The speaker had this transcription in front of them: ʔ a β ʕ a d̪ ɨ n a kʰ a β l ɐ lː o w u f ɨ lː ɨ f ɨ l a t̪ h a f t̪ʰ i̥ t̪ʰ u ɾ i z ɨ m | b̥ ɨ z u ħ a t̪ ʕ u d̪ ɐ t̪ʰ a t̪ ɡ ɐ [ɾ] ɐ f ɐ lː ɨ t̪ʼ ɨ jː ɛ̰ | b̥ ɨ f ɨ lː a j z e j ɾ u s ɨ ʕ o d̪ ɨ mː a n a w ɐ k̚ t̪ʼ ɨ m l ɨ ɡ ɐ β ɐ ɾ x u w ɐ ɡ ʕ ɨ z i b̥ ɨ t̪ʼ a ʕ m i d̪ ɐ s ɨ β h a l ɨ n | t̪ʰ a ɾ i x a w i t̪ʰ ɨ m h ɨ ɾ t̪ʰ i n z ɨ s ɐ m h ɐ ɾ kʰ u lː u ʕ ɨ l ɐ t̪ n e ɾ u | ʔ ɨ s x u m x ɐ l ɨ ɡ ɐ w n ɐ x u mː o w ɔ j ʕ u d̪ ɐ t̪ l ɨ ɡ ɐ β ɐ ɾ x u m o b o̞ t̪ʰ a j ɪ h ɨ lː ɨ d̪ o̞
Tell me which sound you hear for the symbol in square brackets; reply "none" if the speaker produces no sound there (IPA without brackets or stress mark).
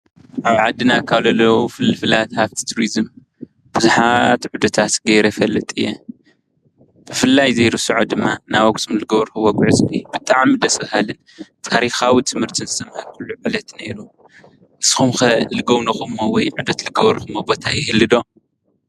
ɾ